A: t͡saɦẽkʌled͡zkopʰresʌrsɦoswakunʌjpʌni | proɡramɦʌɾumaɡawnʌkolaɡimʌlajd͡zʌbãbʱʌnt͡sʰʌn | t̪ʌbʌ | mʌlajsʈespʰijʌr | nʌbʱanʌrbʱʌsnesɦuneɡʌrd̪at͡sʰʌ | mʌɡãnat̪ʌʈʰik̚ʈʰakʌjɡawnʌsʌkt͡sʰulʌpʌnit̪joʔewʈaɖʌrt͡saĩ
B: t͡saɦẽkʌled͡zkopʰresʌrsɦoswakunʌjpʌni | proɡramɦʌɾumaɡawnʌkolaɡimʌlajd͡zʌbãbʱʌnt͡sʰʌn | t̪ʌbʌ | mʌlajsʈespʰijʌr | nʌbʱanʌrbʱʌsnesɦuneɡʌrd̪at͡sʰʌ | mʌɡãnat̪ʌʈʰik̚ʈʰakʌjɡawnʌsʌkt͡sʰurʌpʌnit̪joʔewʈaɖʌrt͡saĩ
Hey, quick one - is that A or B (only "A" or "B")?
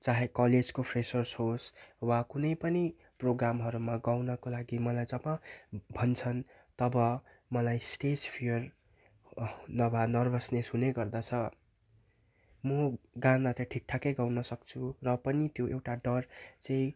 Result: B